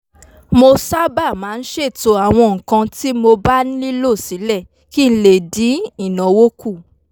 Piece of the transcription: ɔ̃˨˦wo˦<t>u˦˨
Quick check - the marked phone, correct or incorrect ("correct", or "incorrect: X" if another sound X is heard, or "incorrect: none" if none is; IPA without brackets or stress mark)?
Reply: incorrect: k